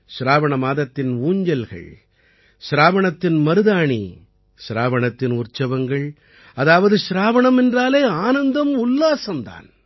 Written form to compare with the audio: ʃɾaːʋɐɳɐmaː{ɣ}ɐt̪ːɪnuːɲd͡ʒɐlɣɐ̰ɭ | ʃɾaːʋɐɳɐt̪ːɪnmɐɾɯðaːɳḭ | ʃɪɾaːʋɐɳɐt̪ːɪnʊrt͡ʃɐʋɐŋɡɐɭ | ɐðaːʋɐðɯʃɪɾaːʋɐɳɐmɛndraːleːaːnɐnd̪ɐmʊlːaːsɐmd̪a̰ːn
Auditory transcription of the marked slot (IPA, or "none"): ð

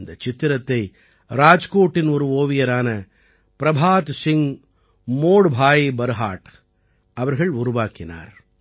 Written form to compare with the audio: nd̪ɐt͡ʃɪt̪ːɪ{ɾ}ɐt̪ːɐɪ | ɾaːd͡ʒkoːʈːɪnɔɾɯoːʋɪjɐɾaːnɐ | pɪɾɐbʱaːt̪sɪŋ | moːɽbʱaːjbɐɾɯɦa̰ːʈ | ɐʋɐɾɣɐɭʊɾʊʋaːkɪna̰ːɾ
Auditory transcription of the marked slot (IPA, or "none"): ɾ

